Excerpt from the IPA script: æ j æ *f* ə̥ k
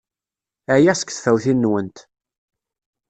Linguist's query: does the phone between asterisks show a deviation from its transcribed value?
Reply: yes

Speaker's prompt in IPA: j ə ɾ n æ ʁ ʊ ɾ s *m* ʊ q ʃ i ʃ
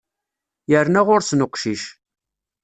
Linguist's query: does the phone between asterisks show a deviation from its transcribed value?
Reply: yes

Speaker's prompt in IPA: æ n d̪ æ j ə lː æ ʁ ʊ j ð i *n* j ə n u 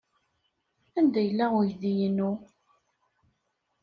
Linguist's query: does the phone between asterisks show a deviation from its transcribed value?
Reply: yes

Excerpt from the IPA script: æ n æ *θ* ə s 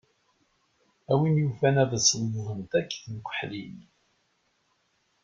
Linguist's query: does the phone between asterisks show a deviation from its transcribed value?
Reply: yes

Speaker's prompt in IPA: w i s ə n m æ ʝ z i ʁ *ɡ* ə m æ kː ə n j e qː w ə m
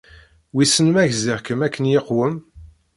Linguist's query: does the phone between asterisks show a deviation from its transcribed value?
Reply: yes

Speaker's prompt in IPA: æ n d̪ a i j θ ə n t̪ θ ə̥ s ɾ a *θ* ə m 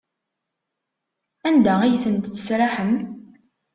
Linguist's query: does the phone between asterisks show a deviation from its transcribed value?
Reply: yes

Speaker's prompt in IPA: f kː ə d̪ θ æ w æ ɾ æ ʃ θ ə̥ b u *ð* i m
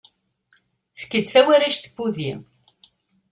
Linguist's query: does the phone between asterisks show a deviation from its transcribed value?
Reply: no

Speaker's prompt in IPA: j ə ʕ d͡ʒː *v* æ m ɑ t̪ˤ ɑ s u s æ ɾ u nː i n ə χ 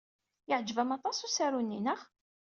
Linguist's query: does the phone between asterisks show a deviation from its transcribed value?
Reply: no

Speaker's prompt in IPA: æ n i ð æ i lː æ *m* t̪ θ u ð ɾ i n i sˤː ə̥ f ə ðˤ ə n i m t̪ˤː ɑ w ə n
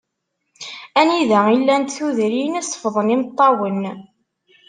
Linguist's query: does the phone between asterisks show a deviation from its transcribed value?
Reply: yes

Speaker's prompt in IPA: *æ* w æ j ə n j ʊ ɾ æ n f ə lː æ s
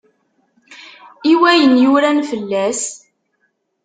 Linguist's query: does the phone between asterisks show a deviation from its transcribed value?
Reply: yes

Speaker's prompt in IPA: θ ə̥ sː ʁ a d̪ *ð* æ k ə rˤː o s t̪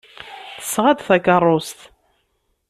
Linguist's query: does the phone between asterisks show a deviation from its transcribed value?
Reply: yes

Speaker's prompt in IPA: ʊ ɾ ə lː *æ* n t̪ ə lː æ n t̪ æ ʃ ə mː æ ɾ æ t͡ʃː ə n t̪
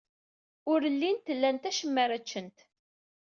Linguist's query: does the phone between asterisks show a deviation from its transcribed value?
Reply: yes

